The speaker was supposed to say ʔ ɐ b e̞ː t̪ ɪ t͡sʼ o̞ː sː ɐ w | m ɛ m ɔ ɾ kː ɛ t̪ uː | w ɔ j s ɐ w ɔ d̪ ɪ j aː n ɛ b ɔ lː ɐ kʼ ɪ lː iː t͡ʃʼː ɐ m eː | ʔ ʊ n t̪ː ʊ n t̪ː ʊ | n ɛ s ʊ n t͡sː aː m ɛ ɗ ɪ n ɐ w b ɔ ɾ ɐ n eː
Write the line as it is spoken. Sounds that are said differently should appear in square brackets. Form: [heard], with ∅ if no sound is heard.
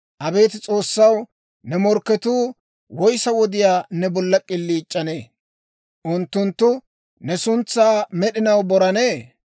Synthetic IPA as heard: ʔ ɐ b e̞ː t̪ ɪ t͡sʼ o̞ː sː ɐ w | [n] ɛ m ɔ ɾ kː ɛ t̪ uː | w ɔ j s ɐ w ɔ d̪ ɪ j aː n ɛ b ɔ lː ɐ kʼ ɪ lː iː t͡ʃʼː ɐ [n] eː | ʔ ʊ n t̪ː ʊ n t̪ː ʊ | n ɛ s ʊ n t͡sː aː m ɛ ɗ ɪ n ɐ w b ɔ ɾ ɐ n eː